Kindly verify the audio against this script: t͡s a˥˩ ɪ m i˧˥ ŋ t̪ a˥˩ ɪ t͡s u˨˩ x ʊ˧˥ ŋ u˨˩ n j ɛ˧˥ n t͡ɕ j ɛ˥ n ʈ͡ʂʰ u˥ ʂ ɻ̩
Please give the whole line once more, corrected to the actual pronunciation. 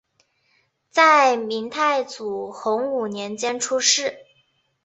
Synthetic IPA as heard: t͡s a˥˩ ɪ m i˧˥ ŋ t̪ʰ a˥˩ ɪ t͡s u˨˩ x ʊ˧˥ ŋ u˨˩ n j ɛ˧˥ n t͡ɕ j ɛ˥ n ʈ͡ʂʰ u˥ ʂ ɻ̩